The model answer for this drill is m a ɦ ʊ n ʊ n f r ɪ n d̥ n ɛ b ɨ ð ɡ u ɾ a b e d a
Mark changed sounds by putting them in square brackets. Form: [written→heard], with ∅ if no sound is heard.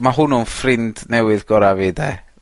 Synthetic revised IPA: m a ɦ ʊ n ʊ n f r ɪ n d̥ n ɛ [b→w] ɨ ð ɡ [u→ɔ] ɾ a [b→v] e d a

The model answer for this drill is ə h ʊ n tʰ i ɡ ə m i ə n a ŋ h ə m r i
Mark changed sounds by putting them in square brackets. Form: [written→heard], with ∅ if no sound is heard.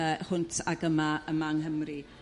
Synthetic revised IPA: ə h ʊ n tʰ [i→a] ɡ ə m [i→a] ə [n→m] a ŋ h ə m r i

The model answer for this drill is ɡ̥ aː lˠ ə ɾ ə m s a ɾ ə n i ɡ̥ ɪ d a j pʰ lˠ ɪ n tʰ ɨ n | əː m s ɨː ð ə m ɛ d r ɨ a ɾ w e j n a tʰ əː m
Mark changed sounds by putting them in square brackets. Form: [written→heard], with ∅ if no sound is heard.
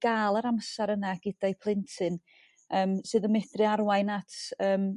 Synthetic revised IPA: ɡ̥ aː lˠ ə ɾ [ə→a] m s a ɾ ə n [i→a] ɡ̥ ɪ d a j pʰ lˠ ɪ n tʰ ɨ n | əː m s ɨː ð ə m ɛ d r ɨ a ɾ w [e→a] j n a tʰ əː m

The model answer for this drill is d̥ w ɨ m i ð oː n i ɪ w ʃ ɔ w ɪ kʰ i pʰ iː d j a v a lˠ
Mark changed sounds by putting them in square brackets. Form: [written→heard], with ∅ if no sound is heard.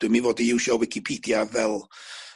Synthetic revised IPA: d̥ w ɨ m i [ð→v] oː [n→d] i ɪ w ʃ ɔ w ɪ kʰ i pʰ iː d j a v [a→ɛ] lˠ

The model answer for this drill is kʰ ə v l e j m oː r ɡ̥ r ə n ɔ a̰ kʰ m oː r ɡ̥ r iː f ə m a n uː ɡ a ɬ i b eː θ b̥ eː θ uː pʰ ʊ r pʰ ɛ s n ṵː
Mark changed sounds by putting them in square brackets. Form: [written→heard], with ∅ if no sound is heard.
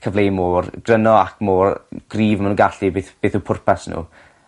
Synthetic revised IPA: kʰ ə v l e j m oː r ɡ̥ r ə n ɔ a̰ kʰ m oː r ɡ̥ r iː [f→v] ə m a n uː ɡ a ɬ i b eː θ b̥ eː θ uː pʰ ʊ r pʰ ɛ s n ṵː

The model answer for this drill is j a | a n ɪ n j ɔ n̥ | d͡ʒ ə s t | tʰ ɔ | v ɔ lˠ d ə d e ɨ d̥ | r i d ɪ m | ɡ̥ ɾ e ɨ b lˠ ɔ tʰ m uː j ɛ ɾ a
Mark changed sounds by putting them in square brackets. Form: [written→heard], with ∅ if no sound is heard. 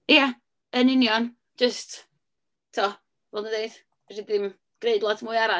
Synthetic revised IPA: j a | [a→ə] n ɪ n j ɔ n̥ | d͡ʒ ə s t | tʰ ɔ | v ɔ lˠ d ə d e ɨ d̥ | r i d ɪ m | ɡ̥ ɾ e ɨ [b→d] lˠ ɔ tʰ m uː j [ɛ→a] ɾ a

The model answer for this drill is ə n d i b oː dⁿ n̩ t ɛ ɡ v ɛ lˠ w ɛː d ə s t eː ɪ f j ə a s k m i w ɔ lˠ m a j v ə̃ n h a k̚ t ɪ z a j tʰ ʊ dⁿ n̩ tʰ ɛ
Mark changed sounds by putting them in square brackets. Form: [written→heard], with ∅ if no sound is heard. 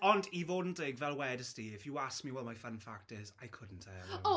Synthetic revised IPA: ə n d i [b→v] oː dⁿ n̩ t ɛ ɡ v ɛ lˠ w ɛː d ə s t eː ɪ f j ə a s k m i w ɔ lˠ m a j [v→f] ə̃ n [h→f] a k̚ t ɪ z a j [tʰ→kʰ] ʊ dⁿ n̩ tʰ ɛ

